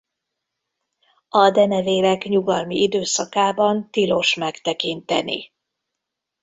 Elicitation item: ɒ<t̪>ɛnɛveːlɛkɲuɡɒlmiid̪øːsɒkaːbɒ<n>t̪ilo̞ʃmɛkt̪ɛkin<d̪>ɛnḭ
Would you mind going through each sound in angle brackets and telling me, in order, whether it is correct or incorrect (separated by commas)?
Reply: incorrect, correct, incorrect